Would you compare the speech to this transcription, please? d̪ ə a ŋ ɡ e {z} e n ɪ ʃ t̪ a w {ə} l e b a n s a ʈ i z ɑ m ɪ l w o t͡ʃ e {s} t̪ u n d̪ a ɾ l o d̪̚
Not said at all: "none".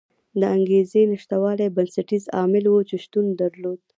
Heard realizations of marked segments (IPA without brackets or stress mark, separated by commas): z, ɑ, ʃ